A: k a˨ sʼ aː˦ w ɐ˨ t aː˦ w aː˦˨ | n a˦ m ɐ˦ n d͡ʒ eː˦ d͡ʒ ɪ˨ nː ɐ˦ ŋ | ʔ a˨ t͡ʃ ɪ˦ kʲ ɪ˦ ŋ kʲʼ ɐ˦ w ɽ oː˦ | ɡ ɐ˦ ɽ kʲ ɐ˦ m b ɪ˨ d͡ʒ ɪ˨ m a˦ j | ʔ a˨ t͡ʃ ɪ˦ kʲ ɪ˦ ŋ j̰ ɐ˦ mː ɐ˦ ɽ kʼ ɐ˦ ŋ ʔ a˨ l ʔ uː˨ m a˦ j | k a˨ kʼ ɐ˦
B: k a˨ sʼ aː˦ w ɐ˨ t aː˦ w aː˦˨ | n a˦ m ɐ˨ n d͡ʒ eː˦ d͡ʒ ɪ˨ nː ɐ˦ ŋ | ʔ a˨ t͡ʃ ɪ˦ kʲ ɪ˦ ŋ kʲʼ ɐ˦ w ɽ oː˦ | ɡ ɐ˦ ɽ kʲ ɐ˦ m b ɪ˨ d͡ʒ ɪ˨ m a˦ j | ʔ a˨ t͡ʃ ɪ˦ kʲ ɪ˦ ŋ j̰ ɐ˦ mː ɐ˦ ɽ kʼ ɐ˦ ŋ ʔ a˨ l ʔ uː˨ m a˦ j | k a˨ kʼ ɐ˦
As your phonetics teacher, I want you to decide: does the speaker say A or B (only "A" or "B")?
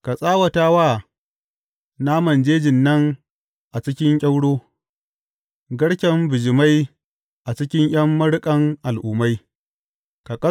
B